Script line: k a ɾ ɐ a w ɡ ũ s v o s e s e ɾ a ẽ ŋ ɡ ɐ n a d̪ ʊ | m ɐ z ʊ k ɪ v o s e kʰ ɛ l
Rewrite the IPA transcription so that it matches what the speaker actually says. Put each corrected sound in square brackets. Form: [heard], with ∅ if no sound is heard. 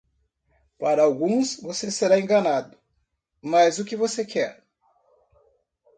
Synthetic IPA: [p] a ɾ ɐ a w ɡ ũ s v o s e s e ɾ a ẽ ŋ ɡ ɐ n a d̪ ʊ | m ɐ z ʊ k ɪ v o s e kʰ ɛ [ɾ]